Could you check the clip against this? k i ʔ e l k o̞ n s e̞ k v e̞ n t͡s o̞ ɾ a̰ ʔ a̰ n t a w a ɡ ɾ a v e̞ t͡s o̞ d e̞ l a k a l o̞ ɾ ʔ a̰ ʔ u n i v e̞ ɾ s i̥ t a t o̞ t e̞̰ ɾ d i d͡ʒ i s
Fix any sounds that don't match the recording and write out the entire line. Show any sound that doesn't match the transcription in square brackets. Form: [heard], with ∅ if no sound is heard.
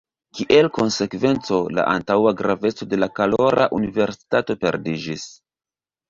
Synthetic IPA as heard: k i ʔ e l k o̞ n s e̞ k v e̞ n t͡s o̞ [l] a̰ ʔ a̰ n t a w a ɡ ɾ a v e̞ t͡s o̞ d e̞ l a k a l o̞ ɾ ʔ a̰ ʔ u n i v e̞ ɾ s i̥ t a t o̞ [p] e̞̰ ɾ d i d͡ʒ i s